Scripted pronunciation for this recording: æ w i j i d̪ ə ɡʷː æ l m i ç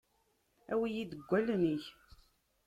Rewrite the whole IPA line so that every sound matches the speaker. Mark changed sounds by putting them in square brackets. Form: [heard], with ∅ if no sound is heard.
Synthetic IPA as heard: æ w i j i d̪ ə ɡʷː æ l [n] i ç